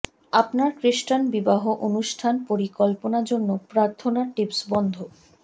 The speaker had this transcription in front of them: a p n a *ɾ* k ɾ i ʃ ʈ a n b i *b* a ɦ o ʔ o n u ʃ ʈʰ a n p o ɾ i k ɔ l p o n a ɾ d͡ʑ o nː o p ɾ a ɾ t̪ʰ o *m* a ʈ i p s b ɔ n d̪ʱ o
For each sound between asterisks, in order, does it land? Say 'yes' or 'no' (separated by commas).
yes, yes, no